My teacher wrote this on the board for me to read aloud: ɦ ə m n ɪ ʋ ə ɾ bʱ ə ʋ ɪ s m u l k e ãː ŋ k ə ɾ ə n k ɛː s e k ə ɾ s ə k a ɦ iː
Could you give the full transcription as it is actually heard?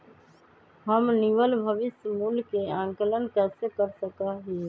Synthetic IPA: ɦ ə m n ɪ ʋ ə l bʱ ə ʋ ɪ s m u l k e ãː ŋ k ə l ə n k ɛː s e k ə ɾ s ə k a ɦ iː